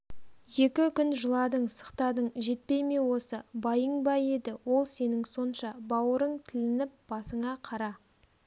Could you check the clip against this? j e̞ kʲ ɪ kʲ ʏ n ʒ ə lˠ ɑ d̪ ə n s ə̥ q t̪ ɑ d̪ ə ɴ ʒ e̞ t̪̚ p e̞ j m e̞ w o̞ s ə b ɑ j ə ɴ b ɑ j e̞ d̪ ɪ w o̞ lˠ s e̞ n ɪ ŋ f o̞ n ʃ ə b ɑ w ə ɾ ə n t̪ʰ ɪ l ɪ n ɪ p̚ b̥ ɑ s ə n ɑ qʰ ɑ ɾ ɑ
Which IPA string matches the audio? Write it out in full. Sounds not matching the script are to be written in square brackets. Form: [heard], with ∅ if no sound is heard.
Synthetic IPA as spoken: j e̞ kʲ ɪ kʲ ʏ n ʒ ə lˠ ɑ d̪ ə [ɴ] s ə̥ q t̪ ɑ d̪ ə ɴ ʒ e̞ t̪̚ p e̞ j m e̞ w o̞ s ə b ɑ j ə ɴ b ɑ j e̞ d̪ ɪ w o̞ lˠ s e̞ n ɪ ŋ [s] o̞ n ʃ [ɑ] b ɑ w ə ɾ ə [ɴ] t̪ʰ ɪ l ɪ n ɪ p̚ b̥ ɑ s ə [ɴ] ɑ qʰ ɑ ɾ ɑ